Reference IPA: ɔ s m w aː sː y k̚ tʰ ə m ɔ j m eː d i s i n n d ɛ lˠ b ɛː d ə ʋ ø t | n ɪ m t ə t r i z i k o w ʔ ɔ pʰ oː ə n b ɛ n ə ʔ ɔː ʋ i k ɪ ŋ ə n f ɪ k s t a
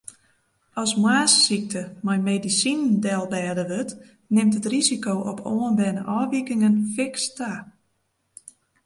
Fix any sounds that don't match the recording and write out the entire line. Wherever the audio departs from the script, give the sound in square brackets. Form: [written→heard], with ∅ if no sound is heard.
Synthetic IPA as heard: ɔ s m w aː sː [y→i] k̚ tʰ ə m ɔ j m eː d i s i n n d ɛ lˠ b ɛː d ə ʋ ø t | n ɪ m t ə t r i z i k o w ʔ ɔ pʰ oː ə n b ɛ n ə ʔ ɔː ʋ i k ɪ ŋ ə n f ɪ k s t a